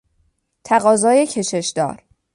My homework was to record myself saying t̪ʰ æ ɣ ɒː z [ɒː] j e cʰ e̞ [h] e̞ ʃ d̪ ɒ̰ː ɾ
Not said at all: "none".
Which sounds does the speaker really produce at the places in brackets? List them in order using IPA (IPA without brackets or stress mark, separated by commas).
ɒː, ʃ